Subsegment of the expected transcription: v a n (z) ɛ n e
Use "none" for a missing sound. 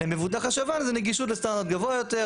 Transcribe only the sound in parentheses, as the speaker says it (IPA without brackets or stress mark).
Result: z